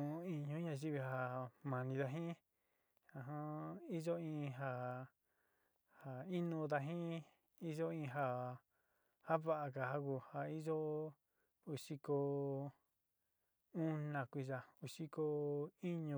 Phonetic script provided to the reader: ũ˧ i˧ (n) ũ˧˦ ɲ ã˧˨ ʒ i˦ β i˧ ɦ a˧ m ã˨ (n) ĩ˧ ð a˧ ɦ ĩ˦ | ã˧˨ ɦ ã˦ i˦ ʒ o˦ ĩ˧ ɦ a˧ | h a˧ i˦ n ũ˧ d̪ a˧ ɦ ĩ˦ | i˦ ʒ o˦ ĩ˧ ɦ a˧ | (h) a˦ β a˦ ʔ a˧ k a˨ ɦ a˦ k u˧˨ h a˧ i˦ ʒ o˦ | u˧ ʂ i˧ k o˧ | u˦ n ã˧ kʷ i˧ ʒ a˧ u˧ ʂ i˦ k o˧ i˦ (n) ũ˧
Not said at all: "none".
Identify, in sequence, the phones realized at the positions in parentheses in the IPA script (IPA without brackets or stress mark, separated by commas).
ɲ, n, h, ɲ